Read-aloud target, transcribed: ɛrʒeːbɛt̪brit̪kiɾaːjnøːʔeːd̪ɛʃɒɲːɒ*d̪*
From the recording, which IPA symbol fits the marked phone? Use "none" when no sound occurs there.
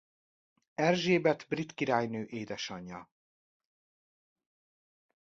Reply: none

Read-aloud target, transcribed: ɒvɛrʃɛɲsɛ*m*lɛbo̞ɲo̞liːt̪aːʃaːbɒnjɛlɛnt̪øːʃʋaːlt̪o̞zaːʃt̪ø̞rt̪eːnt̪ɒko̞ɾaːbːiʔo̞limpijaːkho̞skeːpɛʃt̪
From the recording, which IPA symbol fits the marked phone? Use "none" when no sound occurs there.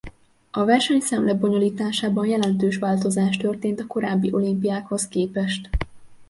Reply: m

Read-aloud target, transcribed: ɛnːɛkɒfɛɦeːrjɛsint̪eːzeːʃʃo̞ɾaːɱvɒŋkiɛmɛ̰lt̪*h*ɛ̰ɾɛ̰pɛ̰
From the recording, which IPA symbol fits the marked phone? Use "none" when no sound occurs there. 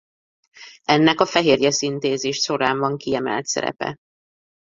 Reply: s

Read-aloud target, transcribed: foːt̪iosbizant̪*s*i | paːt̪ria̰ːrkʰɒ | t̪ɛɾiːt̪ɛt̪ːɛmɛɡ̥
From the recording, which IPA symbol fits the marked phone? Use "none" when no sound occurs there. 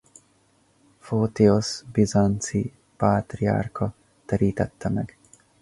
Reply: s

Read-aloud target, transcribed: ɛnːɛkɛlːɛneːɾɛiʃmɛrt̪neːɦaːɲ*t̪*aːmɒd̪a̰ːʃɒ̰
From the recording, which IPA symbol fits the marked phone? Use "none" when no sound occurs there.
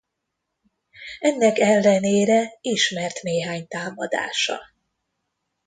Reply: t̪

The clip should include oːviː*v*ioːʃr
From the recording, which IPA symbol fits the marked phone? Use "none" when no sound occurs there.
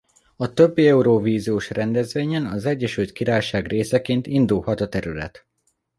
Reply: z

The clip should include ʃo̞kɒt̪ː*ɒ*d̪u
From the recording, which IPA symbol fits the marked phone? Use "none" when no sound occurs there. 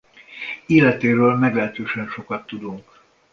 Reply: u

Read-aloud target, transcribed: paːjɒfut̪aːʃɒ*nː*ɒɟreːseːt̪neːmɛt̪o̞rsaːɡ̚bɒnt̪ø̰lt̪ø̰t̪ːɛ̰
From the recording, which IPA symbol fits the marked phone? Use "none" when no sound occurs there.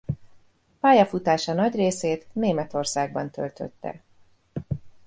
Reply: n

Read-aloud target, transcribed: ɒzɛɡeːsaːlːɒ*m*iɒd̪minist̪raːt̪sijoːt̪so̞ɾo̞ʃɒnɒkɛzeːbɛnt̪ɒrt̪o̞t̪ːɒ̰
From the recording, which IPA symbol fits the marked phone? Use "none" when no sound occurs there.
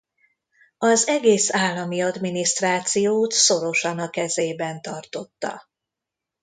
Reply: m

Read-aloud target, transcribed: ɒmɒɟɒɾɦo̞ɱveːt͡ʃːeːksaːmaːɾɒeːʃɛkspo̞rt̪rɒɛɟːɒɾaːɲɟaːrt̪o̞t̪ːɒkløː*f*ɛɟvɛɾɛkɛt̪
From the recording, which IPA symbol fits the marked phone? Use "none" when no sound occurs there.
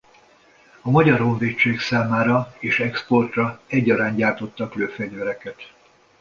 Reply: f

